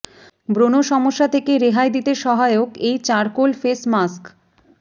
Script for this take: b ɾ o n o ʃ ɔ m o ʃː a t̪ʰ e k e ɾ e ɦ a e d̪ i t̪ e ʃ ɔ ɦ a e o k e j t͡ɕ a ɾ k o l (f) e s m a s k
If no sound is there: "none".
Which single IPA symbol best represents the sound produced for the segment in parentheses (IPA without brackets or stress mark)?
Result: f